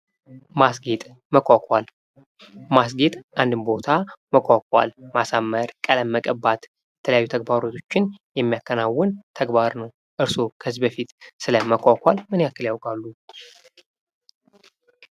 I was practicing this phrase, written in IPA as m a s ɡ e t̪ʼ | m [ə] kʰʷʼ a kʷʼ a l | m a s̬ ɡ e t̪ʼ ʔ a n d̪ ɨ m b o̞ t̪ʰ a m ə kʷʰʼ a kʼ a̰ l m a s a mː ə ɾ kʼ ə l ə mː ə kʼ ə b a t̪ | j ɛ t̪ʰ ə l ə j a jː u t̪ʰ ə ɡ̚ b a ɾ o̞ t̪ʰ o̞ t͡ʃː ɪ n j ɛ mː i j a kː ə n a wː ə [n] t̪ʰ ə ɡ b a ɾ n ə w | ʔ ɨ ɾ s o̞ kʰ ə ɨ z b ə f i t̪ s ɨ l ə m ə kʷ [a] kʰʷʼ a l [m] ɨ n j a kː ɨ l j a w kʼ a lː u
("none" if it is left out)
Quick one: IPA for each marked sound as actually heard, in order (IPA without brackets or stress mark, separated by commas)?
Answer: ə, n, a, m